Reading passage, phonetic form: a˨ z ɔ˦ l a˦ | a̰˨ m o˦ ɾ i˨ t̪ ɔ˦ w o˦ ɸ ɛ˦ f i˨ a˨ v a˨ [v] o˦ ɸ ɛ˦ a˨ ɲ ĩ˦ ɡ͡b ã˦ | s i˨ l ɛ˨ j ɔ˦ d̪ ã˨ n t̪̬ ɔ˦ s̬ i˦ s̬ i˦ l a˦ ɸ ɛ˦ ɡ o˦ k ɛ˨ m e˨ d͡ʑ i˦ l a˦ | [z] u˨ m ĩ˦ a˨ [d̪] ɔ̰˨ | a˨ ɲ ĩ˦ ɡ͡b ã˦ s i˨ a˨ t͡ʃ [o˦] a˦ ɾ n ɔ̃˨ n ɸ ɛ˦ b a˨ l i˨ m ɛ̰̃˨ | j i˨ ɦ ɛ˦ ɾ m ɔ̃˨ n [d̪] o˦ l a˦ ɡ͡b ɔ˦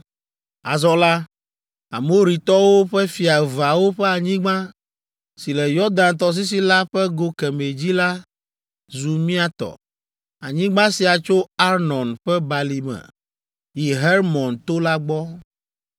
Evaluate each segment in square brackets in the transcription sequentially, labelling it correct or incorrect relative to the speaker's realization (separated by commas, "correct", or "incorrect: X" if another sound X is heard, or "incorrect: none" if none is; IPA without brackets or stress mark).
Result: incorrect: w, correct, incorrect: t̪, correct, incorrect: t̪